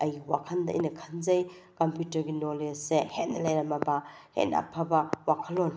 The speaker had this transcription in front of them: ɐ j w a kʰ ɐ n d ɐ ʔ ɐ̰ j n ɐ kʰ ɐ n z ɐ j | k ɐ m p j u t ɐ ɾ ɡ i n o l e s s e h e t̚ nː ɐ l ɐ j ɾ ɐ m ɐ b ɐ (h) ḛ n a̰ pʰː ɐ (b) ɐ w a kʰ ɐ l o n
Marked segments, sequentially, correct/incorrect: correct, correct

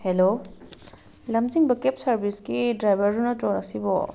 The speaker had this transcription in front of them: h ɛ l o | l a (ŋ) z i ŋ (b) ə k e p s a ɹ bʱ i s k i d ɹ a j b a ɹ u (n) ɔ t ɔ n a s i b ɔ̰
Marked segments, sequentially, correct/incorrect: incorrect, correct, correct

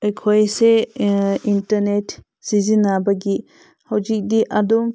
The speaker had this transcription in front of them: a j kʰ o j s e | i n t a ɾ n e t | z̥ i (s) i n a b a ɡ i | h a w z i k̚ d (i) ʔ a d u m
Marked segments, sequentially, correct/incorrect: incorrect, correct

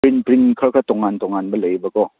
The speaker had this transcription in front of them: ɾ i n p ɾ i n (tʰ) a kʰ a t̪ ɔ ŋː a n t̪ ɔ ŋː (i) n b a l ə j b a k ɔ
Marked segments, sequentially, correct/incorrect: incorrect, incorrect

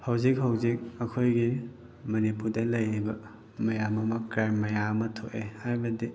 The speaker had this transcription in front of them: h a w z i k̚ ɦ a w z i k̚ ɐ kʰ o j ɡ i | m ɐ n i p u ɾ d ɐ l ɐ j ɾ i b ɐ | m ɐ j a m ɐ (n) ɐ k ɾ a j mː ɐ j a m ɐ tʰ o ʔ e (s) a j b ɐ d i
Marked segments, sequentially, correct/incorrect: incorrect, incorrect

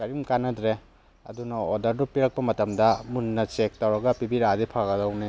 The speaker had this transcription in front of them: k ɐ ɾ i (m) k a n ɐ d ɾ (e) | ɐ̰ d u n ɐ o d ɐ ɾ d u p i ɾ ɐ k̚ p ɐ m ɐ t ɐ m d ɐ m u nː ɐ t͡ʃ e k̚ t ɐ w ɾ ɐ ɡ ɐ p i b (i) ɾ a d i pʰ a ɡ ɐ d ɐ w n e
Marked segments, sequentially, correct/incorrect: correct, correct, correct

